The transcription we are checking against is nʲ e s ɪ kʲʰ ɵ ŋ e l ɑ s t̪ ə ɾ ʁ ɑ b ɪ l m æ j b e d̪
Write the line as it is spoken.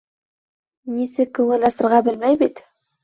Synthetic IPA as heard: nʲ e s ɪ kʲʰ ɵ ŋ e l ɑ s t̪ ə ɾ ʁ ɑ b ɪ l m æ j b e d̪